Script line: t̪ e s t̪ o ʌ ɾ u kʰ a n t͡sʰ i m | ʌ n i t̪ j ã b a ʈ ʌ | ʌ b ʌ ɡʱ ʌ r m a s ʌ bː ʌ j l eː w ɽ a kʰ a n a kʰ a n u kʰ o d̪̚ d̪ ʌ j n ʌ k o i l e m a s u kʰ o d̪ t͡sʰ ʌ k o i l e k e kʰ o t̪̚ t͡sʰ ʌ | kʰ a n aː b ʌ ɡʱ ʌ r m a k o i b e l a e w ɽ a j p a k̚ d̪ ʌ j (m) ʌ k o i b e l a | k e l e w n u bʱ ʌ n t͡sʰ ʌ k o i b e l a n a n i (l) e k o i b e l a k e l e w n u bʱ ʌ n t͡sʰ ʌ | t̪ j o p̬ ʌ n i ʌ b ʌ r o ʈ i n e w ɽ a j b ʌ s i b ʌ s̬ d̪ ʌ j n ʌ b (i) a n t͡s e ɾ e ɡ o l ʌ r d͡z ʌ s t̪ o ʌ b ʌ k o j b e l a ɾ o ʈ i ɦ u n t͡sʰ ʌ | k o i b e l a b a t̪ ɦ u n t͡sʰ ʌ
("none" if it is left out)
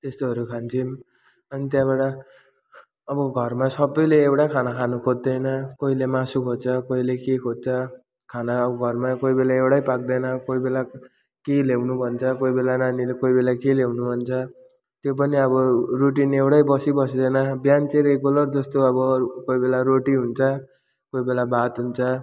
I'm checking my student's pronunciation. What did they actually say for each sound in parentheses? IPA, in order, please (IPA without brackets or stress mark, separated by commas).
n, l, j